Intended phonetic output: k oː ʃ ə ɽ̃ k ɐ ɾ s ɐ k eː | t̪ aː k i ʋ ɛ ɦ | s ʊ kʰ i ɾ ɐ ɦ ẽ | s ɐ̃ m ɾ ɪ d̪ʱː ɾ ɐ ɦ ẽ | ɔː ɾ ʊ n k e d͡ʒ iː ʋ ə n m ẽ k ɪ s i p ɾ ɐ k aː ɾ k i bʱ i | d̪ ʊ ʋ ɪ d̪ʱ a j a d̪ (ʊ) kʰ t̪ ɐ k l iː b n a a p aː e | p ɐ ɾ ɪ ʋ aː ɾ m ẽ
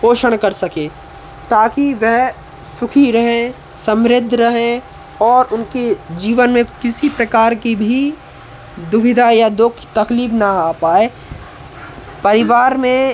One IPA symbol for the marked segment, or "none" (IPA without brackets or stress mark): ʊ